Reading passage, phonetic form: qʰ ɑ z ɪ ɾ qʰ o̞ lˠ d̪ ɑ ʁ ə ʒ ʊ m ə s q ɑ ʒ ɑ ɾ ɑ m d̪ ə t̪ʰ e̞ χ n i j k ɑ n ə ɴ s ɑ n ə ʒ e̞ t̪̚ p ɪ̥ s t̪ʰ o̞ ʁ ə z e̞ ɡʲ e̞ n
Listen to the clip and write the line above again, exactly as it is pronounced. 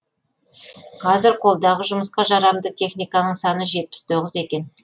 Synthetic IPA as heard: qʰ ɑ z ɪ ɾ qʰ o̞ lˠ d̪ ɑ ʁ ə ʒ ʊ m ə s q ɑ ʒ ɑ ɾ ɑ m d̪ ə t̪ʰ e̞ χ n i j k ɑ n ə ɴ s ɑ n ə ʒ e̞ t̪̚ p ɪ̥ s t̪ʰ o̞ ʁ ə z e̞ kʲ e̞ n